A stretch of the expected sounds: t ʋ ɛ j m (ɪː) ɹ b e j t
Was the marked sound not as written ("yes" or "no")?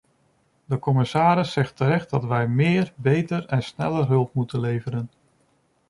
no